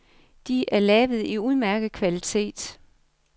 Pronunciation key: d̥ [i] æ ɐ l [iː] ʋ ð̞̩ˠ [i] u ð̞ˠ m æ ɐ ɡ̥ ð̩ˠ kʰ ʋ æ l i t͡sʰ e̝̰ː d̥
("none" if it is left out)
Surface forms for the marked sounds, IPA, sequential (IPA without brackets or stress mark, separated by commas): i, ɛː, i